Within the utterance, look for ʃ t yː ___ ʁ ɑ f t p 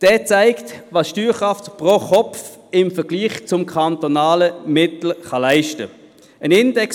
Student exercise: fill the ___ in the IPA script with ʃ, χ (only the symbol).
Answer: χ